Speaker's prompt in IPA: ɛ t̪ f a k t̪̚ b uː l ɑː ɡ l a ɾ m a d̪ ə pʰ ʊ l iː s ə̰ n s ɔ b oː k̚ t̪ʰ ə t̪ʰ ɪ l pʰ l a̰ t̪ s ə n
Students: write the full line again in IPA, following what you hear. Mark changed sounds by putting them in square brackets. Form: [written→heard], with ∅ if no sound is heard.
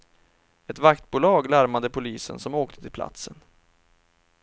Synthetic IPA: ɛ t̪ [f→v] a k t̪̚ b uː l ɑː ɡ l a ɾ m a d̪ ə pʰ ʊ l iː s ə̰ n s ɔ [b→m] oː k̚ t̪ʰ ə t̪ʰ ɪ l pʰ l a̰ t̪ s ə n